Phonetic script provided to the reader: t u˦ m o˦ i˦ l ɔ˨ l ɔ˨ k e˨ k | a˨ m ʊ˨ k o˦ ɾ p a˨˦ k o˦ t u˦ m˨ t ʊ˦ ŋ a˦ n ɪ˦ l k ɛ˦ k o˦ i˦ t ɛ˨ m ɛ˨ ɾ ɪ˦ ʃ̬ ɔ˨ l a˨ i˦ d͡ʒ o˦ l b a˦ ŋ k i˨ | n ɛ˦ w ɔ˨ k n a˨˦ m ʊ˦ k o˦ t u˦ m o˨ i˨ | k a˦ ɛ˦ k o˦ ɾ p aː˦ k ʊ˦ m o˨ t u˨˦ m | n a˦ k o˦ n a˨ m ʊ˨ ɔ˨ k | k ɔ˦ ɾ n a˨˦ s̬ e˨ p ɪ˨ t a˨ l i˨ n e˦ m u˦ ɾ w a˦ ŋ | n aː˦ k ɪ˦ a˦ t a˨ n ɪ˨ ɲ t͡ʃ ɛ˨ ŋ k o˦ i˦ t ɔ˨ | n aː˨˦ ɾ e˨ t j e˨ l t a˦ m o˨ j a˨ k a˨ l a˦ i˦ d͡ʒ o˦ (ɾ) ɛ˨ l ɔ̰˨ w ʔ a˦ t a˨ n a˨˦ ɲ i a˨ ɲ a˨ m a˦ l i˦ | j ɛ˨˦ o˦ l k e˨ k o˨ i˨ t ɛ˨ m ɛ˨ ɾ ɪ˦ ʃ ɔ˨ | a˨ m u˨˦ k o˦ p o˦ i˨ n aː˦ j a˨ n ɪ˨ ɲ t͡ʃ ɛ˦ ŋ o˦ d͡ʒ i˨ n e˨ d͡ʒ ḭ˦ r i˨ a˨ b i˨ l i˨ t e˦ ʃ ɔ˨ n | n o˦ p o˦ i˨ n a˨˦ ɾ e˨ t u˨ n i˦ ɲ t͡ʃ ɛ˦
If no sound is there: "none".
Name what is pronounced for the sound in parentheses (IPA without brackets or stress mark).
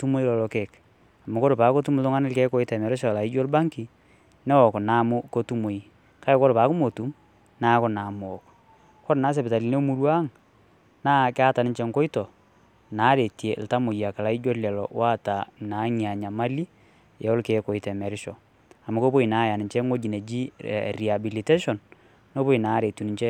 l